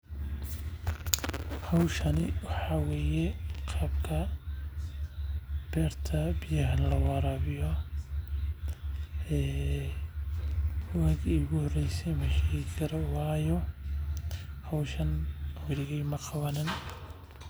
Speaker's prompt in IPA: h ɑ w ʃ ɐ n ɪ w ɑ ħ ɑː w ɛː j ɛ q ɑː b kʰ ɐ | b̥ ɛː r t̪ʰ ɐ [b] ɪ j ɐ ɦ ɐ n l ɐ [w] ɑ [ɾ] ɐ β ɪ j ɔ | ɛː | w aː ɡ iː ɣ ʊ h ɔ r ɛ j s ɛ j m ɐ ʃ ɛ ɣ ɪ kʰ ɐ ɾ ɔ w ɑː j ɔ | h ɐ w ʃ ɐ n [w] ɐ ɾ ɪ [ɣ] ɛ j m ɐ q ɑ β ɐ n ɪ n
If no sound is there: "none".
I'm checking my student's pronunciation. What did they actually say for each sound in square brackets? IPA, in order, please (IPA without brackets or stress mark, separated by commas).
b, w, ɾ, w, ɣ